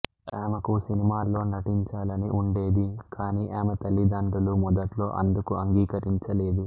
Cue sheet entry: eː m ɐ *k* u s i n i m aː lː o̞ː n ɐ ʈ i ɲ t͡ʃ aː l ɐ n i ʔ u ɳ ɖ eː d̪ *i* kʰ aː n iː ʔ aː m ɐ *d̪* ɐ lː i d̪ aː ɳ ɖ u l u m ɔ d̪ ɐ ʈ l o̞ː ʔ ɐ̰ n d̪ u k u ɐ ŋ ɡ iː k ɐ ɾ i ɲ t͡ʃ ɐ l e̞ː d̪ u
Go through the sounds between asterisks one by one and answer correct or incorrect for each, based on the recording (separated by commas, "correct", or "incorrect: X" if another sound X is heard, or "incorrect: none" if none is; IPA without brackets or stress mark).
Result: correct, correct, incorrect: t̪